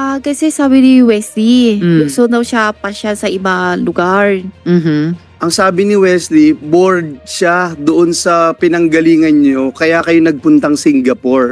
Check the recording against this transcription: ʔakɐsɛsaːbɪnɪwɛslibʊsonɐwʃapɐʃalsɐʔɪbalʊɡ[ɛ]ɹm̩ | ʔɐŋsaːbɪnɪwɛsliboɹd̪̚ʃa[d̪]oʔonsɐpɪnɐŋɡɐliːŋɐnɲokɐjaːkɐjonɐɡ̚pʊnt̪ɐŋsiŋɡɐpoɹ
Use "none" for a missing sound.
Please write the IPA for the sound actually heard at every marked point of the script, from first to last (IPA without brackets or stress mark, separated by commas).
a, d̪